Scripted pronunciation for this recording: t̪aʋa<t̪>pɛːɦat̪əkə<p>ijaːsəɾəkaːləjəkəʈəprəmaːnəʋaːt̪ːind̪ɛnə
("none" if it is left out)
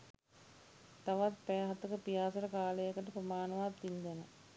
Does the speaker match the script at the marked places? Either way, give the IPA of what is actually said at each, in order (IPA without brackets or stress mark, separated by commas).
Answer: t̪, p